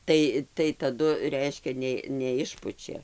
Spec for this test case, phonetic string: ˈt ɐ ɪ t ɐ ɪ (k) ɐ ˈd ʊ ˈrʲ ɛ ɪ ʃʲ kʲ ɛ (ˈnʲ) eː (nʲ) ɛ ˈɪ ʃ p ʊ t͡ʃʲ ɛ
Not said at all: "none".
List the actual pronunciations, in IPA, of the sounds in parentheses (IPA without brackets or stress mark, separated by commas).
t, nʲ, nʲ